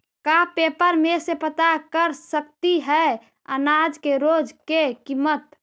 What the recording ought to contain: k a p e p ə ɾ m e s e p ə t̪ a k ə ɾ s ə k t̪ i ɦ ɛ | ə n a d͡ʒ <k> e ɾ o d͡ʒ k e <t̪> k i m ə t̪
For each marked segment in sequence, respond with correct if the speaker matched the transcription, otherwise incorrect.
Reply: correct, incorrect: none

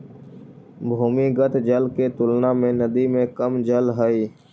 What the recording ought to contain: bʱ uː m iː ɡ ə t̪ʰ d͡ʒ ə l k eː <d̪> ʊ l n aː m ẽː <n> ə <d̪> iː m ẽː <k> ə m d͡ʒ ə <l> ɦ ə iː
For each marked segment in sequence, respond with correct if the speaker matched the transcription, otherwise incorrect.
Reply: incorrect: t̪, correct, correct, correct, correct

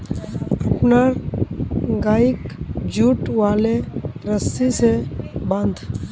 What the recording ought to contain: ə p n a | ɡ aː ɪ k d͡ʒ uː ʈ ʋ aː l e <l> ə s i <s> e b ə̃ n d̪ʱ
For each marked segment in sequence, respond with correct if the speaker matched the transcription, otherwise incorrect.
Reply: incorrect: ɾ, correct

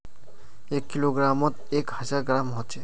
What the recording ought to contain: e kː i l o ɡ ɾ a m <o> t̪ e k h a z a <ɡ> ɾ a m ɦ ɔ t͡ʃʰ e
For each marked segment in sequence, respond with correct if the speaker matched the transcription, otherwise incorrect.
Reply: incorrect: ɔ, correct

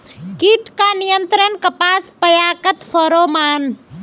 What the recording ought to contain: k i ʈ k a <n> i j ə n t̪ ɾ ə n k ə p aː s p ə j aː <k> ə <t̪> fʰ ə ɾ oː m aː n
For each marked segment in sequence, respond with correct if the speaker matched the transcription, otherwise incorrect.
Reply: correct, correct, correct

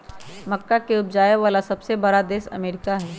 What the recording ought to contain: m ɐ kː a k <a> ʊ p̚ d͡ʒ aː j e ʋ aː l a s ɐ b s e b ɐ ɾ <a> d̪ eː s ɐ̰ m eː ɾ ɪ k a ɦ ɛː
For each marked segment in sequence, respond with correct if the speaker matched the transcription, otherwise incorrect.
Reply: incorrect: e, correct

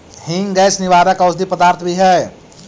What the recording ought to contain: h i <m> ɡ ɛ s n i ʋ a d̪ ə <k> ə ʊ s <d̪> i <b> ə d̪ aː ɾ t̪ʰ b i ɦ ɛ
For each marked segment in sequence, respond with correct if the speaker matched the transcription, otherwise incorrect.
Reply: incorrect: ŋ, correct, correct, incorrect: p

